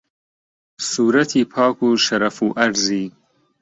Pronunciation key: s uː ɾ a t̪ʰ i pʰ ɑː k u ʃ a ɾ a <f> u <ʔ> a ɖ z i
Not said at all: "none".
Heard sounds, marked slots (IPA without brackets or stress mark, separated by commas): f, ʔ